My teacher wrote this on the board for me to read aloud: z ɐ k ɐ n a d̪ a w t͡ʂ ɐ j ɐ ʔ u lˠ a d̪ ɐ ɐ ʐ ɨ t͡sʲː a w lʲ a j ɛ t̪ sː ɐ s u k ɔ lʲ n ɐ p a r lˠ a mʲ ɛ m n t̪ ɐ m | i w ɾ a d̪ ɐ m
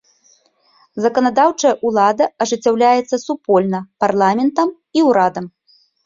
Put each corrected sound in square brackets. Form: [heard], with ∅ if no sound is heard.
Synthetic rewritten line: z ɐ k ɐ n a d̪ a w t͡ʂ ɐ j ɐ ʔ u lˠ a d̪ ɐ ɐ ʐ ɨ t͡sʲː a w lʲ a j ɛ t̪ sː ɐ s u [p] ɔ lʲ n ɐ p a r lˠ a mʲ ɛ [∅] n t̪ ɐ m | i w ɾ a d̪ ɐ m